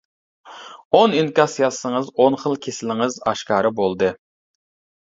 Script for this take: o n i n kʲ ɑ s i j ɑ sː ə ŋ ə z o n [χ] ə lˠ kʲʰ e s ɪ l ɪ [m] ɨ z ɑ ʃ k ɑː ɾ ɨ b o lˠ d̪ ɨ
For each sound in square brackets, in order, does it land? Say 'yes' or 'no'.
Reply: yes, no

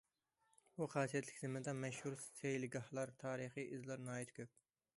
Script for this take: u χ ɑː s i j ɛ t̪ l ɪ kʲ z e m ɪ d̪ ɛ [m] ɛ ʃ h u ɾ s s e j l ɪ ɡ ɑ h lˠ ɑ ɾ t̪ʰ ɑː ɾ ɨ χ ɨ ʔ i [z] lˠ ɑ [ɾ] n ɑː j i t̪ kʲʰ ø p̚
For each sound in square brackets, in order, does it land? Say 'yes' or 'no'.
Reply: yes, yes, yes

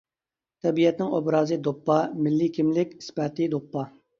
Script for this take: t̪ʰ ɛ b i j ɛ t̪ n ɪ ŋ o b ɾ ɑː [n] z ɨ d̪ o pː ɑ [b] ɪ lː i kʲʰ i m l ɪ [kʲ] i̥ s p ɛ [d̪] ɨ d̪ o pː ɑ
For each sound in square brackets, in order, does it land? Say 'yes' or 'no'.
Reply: no, no, yes, no

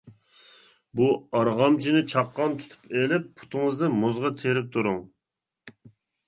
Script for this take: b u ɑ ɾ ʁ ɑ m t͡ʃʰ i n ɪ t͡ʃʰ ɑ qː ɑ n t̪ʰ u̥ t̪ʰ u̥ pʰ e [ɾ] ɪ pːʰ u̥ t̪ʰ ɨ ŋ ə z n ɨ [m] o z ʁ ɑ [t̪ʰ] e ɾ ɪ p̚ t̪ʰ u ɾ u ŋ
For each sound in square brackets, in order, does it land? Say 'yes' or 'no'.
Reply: no, yes, yes

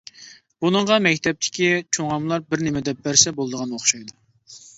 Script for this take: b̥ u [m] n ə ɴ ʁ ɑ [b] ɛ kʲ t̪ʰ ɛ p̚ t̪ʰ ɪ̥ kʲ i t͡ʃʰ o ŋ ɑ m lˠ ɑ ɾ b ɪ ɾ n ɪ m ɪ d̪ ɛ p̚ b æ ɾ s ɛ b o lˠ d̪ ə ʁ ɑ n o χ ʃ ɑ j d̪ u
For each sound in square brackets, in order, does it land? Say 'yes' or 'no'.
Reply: no, no

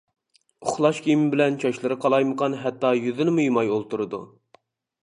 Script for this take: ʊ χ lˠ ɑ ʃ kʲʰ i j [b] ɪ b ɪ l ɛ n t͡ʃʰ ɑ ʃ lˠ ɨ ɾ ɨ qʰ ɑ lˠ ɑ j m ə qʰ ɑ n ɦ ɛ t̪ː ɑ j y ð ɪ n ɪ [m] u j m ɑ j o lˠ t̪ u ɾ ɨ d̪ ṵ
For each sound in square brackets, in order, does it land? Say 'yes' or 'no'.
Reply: no, yes

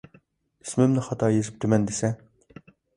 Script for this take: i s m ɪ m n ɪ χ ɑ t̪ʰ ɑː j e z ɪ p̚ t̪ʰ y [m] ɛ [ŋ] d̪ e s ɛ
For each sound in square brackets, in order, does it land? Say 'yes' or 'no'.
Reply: yes, no

